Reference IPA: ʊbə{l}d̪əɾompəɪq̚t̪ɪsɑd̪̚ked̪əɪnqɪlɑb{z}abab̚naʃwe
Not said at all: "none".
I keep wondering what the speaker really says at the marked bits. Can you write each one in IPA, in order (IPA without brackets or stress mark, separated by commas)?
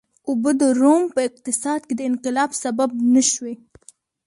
none, s